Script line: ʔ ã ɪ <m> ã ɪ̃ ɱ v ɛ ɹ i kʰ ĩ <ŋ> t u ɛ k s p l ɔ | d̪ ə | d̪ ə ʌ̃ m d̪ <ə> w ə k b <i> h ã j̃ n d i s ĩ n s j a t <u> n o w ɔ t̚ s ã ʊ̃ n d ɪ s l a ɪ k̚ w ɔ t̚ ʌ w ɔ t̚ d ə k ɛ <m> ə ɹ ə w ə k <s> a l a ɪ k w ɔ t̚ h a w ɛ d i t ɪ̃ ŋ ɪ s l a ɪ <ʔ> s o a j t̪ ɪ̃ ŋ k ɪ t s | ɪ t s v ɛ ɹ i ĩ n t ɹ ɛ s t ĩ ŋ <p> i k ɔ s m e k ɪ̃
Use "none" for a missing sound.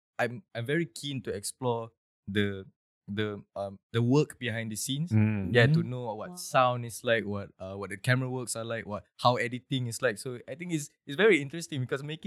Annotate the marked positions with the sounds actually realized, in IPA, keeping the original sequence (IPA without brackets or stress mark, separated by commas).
m, n, ə, i, u, m, s, k, b